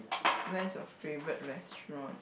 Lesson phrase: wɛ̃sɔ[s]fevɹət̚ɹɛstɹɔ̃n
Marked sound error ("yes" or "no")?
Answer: yes